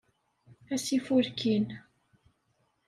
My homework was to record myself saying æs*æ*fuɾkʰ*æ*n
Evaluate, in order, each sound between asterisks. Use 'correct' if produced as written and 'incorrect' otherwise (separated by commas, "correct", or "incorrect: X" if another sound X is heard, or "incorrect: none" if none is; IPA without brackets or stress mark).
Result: incorrect: i, incorrect: i